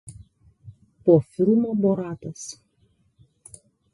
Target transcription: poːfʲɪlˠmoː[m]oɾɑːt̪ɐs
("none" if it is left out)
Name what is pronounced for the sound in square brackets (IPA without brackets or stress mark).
b